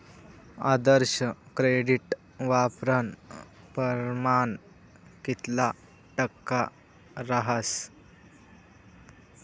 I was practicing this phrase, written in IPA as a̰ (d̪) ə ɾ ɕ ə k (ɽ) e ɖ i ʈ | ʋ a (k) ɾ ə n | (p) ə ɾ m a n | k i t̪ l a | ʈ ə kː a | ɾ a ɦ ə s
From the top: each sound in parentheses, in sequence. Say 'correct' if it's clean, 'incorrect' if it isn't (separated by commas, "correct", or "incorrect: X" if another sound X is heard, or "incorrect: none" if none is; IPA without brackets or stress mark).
correct, incorrect: ɾ, incorrect: p, correct